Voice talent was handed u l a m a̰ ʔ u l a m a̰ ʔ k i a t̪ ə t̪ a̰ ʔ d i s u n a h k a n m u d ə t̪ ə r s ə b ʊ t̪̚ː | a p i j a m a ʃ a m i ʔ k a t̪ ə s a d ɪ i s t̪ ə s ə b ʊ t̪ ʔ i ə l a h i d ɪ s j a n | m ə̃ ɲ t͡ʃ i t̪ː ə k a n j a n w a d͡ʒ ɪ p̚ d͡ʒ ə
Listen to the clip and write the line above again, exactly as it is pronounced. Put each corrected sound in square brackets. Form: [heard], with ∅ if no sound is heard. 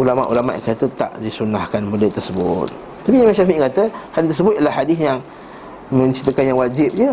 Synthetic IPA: u l a m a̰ ʔ u l a m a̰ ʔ k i a t̪ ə t̪ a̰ ʔ d i s u n a h k a n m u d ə t̪ ə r s ə b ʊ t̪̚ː | a p i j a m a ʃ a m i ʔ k a t̪ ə [h] a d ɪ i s t̪ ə s ə b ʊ t̪ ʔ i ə l a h [a] d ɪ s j a [ŋ] | m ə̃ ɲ t͡ʃ i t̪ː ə k a n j a [ŋ] w a d͡ʒ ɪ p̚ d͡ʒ ə